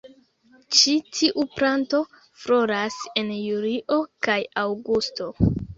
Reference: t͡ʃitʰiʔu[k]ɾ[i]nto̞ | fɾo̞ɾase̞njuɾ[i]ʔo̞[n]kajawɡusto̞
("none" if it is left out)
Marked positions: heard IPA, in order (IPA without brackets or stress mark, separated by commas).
p, a, i, none